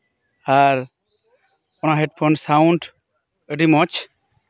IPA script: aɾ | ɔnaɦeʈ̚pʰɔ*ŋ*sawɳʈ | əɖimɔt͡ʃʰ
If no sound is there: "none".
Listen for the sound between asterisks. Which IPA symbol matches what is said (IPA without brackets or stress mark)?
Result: n